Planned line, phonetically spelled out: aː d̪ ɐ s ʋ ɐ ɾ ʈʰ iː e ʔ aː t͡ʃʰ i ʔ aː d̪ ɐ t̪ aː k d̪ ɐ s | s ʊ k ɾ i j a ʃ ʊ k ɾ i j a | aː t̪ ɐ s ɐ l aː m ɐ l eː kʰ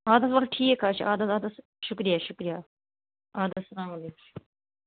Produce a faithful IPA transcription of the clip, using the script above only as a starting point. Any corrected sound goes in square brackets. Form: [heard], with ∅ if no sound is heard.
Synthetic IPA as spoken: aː d̪ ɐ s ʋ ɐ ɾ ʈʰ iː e [k] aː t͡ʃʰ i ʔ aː d̪ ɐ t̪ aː [∅] d̪ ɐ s | [ʃ] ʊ k ɾ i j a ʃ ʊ k ɾ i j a | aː [d̪] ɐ s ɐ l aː m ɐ l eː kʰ